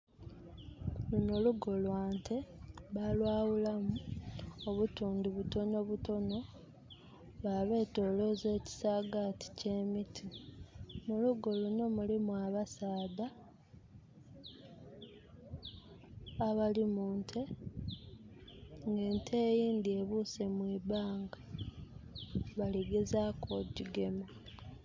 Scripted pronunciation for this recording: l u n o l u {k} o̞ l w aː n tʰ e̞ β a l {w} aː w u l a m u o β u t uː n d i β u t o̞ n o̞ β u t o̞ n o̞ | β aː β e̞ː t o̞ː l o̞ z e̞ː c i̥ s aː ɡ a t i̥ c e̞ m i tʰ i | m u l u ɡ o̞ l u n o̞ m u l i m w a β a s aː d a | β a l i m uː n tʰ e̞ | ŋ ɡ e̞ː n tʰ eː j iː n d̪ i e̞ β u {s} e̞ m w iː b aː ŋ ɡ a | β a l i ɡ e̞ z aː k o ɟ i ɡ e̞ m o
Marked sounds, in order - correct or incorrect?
incorrect, correct, correct

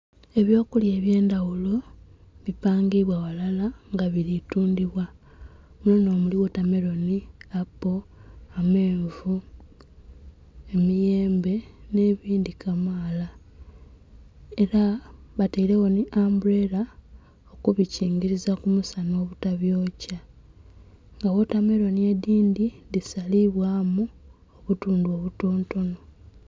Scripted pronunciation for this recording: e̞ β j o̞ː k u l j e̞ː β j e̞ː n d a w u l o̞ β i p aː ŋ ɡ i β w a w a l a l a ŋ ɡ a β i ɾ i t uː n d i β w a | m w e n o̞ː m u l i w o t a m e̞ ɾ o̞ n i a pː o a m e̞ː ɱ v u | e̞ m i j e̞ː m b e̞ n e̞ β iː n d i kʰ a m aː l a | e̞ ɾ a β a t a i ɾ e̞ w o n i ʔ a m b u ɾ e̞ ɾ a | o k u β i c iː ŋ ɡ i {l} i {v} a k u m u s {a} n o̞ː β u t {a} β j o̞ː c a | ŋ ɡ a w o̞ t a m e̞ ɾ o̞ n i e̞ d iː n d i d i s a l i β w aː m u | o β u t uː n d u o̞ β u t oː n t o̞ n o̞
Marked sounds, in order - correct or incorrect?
incorrect, incorrect, correct, correct

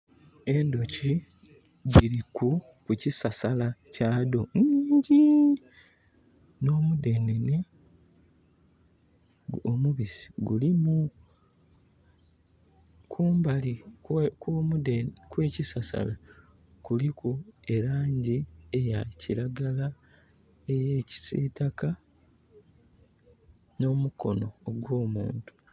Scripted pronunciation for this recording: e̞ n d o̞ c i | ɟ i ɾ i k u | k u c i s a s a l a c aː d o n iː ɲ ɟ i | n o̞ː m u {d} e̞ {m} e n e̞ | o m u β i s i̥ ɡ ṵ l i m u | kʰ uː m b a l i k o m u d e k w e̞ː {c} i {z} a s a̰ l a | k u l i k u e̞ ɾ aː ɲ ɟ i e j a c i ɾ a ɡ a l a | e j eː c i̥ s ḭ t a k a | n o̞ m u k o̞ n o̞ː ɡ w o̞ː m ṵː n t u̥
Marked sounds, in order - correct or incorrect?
correct, incorrect, correct, incorrect

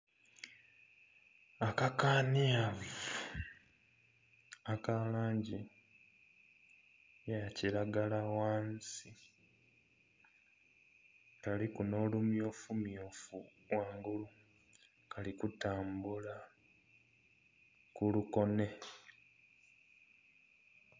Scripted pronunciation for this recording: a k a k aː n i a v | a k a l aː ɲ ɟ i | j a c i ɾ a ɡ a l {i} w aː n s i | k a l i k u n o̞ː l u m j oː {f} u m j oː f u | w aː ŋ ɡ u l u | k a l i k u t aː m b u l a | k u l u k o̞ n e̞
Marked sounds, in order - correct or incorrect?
incorrect, correct

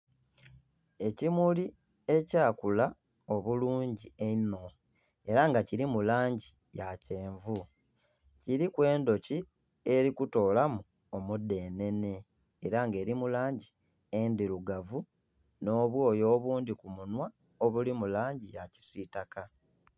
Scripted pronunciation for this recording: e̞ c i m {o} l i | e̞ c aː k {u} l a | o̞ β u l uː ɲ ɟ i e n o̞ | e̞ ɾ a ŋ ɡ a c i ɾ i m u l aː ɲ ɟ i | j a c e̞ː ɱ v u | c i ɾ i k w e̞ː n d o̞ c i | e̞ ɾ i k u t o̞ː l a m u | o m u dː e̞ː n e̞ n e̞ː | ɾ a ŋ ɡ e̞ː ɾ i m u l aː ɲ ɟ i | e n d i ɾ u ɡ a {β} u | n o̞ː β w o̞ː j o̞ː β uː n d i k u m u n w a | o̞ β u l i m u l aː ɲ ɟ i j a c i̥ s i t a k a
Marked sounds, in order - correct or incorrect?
incorrect, correct, incorrect

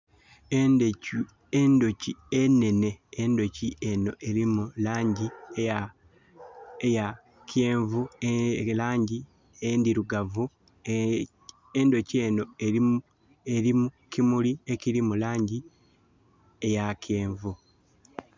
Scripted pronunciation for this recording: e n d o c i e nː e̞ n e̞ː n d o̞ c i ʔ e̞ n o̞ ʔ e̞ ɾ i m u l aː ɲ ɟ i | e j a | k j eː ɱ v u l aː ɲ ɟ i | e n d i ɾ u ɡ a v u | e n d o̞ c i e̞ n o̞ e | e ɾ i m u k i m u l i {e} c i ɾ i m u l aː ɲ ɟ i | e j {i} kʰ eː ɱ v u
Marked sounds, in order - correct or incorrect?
correct, incorrect

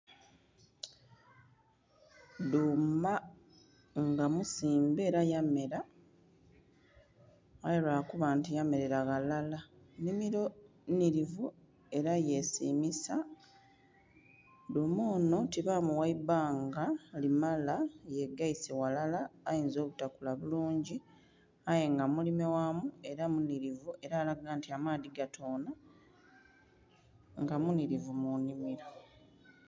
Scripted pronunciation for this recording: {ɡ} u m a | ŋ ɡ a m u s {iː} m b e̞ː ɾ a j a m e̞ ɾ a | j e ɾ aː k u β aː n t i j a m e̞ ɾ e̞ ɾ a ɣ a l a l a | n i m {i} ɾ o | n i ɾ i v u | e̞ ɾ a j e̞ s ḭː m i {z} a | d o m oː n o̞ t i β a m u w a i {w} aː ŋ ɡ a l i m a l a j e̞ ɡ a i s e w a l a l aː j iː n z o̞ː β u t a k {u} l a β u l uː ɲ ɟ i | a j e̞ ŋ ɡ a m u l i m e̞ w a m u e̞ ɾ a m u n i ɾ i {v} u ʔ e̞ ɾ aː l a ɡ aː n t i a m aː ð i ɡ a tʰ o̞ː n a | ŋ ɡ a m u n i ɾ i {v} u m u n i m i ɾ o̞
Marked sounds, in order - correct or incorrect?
incorrect, correct, correct, incorrect, incorrect, correct, correct, correct

